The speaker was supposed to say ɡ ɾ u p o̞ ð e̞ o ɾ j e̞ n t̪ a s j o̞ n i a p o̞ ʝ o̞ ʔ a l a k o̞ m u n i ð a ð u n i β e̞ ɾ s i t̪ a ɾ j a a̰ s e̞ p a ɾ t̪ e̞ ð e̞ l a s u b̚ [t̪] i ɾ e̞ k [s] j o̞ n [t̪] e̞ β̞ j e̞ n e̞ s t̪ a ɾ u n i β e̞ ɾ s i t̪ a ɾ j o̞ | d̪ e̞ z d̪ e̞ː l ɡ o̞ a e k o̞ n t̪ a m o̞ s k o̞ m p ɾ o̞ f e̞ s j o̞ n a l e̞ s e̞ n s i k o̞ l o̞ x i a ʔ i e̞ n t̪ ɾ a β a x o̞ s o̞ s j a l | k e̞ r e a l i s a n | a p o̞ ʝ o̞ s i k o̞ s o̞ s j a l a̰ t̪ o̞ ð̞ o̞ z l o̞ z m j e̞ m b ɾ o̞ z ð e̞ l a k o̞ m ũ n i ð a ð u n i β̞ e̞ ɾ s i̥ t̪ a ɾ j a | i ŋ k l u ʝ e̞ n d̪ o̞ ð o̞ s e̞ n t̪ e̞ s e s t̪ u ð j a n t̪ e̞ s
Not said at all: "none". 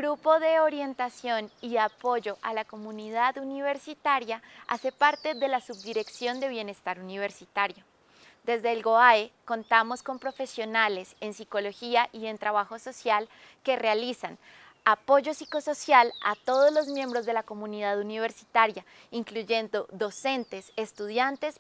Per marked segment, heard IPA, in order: d̪, s, d̪

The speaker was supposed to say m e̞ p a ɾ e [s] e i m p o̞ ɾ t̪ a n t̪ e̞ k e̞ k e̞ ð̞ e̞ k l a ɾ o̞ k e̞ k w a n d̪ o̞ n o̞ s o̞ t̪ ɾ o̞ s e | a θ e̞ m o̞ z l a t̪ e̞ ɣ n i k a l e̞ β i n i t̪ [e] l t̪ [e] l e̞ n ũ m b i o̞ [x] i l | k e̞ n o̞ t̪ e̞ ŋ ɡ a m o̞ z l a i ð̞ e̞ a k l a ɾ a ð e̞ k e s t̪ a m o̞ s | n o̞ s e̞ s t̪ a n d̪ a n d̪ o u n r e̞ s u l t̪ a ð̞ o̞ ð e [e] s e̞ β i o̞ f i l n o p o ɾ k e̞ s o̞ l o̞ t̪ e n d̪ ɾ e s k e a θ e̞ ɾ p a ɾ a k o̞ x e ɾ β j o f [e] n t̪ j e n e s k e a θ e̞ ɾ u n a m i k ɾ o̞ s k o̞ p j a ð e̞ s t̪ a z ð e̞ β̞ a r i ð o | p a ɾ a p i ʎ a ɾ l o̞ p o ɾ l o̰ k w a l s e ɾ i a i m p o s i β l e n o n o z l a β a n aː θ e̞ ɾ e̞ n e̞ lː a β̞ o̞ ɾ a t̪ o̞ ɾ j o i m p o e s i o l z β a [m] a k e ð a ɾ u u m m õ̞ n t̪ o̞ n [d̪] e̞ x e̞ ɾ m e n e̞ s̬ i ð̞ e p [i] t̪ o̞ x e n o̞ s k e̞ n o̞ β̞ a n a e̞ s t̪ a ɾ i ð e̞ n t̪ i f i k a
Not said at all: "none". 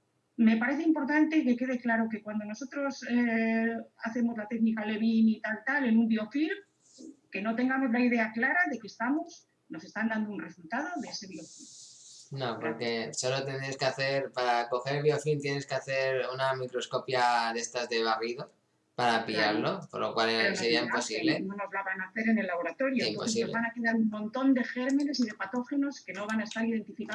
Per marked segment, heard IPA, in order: θ, a, a, f, e, i, n, d̪, a

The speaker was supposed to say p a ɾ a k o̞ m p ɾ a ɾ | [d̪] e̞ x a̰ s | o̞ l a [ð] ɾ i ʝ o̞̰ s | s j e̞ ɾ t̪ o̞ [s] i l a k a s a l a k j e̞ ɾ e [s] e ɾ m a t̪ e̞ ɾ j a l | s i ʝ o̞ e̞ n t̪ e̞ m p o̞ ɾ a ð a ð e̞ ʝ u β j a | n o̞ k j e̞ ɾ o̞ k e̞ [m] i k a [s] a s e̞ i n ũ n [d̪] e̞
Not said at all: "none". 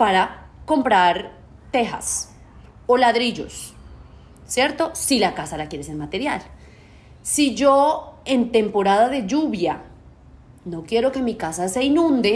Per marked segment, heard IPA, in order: t̪, ð, s, s, m, s, d̪

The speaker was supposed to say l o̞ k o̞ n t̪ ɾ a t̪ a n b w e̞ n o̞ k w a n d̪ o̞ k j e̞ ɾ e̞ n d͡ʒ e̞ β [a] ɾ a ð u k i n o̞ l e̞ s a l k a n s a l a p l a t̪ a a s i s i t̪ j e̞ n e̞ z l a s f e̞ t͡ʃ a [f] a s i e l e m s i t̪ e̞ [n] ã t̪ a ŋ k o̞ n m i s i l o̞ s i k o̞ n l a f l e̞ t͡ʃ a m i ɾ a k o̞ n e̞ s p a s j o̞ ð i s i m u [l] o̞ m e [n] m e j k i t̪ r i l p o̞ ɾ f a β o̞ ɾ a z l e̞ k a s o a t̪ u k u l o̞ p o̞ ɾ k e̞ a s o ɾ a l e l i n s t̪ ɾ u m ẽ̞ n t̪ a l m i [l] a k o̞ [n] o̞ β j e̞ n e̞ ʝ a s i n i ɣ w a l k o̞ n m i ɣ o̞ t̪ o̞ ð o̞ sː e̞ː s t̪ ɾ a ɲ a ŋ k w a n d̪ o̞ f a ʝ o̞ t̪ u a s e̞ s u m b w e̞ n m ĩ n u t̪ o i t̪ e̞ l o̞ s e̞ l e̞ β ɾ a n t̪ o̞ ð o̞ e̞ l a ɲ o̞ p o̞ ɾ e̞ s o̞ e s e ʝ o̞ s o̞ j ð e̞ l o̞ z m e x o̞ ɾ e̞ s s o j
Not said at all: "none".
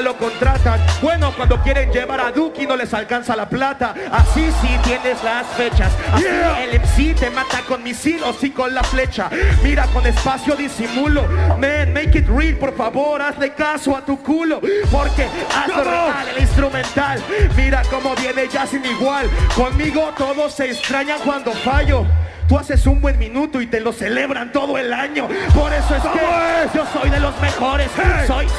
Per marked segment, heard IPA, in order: a, s, m, l, n, ɾ, m

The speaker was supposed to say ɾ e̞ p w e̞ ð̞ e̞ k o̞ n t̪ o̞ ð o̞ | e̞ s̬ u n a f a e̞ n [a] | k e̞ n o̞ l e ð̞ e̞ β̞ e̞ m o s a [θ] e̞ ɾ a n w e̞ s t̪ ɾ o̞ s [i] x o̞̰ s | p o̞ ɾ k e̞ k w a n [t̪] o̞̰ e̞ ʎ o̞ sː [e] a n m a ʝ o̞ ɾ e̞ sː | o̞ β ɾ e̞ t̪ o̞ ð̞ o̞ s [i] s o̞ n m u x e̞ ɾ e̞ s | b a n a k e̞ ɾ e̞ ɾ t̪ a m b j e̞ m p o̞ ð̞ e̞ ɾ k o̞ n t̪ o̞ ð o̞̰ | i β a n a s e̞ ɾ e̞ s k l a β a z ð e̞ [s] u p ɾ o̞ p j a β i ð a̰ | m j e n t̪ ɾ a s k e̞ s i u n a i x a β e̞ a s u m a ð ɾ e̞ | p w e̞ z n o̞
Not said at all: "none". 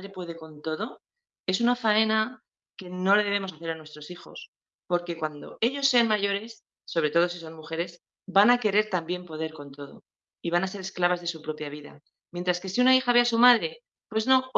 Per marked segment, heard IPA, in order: a, θ, i, d̪, e, i, s

